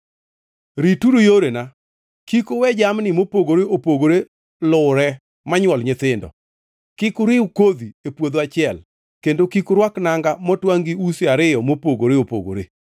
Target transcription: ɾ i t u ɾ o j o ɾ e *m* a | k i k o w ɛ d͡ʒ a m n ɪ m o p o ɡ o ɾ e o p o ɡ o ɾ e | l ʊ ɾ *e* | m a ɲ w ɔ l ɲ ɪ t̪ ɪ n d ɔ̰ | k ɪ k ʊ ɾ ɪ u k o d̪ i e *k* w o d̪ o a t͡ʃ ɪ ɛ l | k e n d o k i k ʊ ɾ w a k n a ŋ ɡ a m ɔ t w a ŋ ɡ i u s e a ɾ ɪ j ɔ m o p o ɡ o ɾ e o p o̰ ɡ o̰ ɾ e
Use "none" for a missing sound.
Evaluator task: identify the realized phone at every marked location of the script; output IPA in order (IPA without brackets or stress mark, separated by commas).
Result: n, ɛ, p